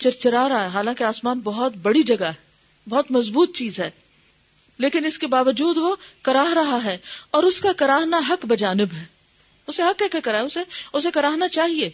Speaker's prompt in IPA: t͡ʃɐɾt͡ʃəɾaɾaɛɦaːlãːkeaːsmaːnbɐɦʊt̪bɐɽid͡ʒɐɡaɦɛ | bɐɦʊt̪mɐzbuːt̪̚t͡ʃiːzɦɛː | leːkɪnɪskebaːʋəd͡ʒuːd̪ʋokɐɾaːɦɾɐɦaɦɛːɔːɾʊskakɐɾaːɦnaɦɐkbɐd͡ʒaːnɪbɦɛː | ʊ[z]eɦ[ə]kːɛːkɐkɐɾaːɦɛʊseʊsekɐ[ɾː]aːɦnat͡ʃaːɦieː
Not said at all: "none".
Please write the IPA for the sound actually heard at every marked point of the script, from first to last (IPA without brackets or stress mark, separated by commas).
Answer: s, ɐ, ɾ